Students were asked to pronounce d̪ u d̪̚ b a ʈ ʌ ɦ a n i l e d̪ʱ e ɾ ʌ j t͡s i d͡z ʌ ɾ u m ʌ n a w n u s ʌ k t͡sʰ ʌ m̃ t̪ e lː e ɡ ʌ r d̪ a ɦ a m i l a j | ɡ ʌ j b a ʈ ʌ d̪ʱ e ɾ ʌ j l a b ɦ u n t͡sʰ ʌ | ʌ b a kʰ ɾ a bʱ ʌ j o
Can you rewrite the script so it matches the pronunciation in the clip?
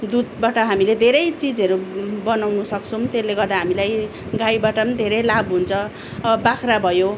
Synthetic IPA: d̪ u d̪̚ b a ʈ ʌ ɦ a m i l e d̪ʱ e ɾ ʌ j t͡s i d͡z ʌ ɾ u b ʌ n a w n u s ʌ k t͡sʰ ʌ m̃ t̪ e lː e ɡ ʌ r d̪ a ɦ a m i l a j | ɡ a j b a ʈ ʌ d̪ʱ e ɾ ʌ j l a b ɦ u n t͡sʰ ʌ | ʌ b a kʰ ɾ a bʱ ʌ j o